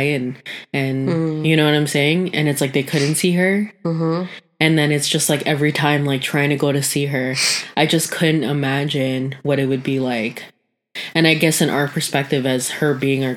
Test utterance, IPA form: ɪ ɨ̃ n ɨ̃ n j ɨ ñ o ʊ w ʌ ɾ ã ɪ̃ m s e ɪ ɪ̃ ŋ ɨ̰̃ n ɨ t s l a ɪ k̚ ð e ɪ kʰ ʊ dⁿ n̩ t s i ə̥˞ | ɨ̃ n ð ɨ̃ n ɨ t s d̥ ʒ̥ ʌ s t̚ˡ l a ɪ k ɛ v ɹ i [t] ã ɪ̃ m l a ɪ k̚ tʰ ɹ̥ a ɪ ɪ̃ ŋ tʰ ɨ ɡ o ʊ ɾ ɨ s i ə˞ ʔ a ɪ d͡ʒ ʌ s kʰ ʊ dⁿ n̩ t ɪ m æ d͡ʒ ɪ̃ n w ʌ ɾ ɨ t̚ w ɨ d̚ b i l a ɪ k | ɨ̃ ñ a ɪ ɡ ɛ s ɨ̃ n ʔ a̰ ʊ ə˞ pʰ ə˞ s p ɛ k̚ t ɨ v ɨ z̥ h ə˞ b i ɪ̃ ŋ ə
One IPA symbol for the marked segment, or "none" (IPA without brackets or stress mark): tʰ